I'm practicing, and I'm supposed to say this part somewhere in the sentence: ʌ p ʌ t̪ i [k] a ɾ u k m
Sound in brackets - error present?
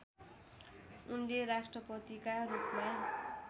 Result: no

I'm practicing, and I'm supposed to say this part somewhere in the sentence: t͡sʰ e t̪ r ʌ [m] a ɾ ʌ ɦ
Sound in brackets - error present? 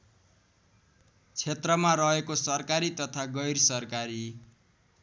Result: no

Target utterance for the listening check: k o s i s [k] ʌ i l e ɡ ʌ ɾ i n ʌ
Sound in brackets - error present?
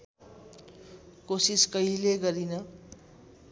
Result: no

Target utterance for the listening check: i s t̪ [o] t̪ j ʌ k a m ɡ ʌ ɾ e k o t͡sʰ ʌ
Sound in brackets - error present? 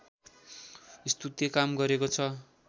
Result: yes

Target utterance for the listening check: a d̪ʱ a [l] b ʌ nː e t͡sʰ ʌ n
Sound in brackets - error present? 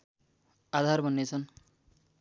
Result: yes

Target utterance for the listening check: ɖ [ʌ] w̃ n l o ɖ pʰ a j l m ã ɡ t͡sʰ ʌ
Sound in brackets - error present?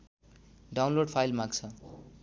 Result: yes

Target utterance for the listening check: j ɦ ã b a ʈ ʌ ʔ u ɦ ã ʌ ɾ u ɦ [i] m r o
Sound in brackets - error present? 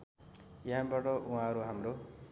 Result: yes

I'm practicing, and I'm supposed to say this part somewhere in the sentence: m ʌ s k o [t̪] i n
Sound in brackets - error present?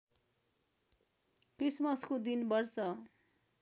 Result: yes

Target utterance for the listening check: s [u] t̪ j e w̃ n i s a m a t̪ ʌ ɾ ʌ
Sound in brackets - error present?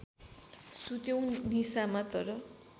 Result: no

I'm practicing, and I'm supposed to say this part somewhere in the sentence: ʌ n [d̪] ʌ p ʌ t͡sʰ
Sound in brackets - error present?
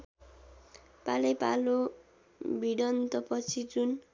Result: yes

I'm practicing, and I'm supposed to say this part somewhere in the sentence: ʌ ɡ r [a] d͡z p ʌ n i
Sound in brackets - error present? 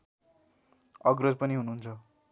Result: yes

